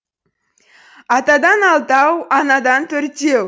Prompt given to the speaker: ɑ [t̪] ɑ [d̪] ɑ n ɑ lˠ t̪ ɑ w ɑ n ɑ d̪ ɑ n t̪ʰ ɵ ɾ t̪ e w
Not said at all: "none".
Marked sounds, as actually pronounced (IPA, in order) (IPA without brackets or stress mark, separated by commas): t̪, d̪